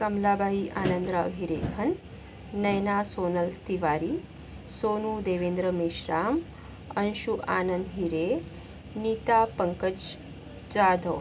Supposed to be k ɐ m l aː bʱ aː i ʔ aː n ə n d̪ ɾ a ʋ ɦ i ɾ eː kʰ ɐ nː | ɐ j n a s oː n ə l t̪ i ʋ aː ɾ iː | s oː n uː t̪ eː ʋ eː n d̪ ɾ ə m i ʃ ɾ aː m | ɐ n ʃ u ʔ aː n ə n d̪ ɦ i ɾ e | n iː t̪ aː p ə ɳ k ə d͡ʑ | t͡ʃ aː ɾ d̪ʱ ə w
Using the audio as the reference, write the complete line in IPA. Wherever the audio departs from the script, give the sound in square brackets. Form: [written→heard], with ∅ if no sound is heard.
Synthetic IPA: k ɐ m l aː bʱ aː i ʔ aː n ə n d̪ ɾ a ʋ ɦ i ɾ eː kʰ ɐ nː | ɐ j n a s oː n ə l t̪ i ʋ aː ɾ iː | s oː n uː [t̪→d̪] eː ʋ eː n d̪ ɾ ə m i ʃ ɾ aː m | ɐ n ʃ u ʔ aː n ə n d̪ ɦ i ɾ e | n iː t̪ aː p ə [ɳ→ŋ] k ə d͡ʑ | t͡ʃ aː ɾ d̪ʱ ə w